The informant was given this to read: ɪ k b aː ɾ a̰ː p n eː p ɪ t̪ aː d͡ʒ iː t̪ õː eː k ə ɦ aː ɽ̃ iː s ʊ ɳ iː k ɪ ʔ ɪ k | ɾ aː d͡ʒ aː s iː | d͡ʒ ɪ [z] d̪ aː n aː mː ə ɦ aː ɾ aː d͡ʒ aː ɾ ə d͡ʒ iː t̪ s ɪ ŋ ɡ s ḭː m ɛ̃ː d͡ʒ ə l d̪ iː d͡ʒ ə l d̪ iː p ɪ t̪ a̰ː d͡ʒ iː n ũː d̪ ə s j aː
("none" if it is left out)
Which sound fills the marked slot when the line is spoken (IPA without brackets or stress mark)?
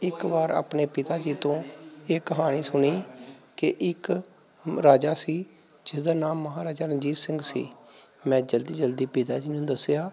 s